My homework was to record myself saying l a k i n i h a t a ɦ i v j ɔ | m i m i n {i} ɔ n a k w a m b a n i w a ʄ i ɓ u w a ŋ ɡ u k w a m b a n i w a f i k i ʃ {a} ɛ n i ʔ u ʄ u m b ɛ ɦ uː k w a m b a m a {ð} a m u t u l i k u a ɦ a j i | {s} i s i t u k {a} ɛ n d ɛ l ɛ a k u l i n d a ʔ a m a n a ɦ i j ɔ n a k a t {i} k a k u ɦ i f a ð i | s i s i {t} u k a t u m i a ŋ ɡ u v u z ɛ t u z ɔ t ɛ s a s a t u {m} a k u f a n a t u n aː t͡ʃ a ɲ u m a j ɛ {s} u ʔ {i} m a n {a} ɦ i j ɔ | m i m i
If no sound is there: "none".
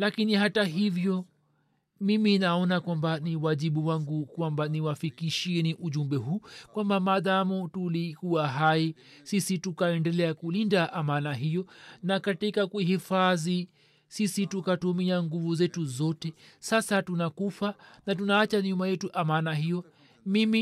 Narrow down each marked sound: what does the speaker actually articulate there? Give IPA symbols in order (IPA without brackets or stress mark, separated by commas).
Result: a, i, ð, s, a, i, t, n, t, a, a